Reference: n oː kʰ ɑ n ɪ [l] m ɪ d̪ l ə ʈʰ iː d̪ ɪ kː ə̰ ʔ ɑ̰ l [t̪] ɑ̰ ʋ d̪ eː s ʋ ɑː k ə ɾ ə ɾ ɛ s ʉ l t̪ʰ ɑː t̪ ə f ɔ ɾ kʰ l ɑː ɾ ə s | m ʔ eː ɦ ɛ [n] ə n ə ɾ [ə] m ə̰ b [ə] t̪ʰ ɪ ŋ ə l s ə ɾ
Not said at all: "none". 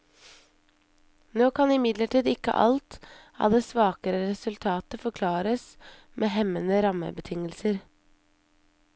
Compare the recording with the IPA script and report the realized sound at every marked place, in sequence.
none, t̪, m, ɑ, ə

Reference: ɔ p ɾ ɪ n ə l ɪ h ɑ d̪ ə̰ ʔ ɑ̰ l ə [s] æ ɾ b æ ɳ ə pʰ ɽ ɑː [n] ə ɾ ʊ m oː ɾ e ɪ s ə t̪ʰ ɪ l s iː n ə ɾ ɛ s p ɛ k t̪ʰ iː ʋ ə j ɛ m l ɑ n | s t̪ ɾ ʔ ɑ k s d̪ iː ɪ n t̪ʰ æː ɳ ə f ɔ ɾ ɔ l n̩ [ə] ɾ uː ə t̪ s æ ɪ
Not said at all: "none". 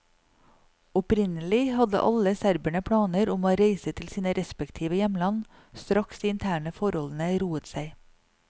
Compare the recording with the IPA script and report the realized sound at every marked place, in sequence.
s, n, ə

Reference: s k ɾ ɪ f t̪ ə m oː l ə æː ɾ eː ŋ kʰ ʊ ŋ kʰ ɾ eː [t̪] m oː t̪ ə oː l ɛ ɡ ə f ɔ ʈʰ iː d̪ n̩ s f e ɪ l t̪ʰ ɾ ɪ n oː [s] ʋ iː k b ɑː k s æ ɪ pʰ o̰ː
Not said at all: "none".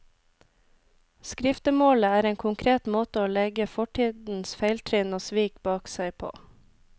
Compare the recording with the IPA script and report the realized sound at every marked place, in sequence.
t̪, s

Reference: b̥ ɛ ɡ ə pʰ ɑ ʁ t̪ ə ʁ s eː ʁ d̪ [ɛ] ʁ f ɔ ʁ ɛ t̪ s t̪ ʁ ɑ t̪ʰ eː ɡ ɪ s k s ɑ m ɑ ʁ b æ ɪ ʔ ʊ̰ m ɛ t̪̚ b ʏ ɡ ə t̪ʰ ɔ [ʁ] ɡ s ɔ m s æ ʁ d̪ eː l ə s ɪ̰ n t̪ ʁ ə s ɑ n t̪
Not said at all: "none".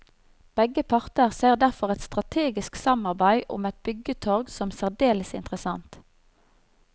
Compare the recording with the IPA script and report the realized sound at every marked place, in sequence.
æ, ʁ

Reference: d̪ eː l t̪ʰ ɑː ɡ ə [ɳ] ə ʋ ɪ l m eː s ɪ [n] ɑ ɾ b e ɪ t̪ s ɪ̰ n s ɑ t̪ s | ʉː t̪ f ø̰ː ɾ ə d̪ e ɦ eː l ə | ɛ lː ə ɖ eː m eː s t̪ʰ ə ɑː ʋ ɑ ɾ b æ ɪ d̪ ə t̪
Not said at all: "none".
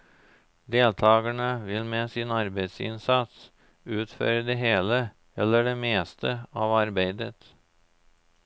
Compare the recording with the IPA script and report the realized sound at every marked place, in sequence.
ɳ, n

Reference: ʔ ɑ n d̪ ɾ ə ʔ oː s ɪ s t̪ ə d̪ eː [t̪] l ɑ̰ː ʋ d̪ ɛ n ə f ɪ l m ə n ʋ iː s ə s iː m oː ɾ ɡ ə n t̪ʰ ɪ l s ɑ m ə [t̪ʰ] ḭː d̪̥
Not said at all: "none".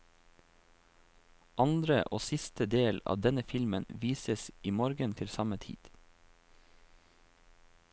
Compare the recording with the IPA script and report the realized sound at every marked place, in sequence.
none, t̪ʰ

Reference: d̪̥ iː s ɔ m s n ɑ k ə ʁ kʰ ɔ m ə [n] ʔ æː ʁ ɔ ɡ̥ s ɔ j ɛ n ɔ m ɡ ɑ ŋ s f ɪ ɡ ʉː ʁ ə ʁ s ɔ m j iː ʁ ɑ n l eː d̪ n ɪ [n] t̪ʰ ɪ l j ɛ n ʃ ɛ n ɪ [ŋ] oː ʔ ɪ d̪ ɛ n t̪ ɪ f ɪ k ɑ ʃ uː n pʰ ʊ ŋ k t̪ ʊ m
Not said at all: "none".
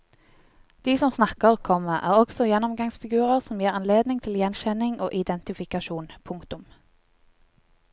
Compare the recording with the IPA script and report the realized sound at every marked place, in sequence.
none, ŋ, ŋ

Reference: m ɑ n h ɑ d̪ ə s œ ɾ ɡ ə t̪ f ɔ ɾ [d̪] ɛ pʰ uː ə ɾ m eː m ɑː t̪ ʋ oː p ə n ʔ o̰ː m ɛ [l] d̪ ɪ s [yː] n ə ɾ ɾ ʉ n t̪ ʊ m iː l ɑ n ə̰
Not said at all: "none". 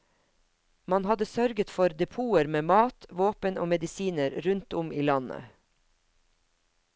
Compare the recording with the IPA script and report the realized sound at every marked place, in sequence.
d̪, none, iː

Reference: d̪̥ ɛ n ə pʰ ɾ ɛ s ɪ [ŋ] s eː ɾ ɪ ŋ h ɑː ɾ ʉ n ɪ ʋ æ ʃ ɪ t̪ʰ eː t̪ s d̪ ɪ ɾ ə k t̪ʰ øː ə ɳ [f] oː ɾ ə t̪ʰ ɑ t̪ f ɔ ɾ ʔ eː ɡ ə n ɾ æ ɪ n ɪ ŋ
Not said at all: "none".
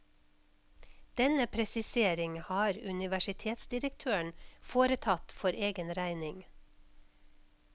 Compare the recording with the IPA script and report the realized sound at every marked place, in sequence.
none, f

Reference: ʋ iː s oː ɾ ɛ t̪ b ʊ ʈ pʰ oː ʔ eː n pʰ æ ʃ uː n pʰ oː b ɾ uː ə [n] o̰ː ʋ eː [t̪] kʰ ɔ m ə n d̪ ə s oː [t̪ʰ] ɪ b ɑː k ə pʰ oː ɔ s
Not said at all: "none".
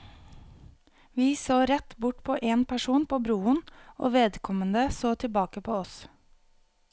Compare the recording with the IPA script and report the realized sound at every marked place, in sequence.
n, d̪, t̪ʰ

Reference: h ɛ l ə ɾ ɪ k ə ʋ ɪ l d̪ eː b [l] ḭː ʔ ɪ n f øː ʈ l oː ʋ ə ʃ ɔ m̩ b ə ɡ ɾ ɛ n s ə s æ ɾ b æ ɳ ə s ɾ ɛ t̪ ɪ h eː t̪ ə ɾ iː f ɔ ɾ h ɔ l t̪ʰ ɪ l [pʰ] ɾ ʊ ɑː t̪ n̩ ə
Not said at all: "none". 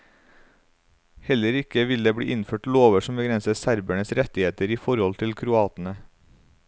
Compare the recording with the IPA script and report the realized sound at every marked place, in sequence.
ɽ, kʰ

